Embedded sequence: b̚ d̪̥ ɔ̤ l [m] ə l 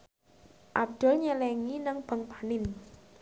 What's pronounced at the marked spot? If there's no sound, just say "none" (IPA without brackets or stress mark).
ɲ